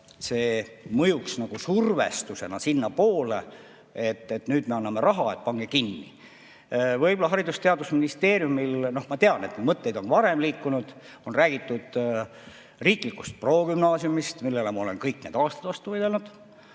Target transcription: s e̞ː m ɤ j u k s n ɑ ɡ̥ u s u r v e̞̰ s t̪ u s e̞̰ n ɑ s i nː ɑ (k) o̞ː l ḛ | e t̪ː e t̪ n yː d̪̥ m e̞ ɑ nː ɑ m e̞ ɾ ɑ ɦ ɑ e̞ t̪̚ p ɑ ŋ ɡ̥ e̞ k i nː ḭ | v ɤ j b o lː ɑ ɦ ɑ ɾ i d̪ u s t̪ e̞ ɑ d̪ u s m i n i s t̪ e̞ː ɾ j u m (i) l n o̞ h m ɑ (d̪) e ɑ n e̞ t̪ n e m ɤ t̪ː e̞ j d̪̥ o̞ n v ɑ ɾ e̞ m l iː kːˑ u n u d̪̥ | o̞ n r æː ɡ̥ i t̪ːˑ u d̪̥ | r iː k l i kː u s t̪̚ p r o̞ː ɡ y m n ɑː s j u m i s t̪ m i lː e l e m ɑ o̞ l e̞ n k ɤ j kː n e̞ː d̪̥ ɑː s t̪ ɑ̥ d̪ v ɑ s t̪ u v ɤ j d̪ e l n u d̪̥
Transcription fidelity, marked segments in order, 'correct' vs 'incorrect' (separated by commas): incorrect, correct, incorrect